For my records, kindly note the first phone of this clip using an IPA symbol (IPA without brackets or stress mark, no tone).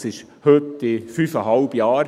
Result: s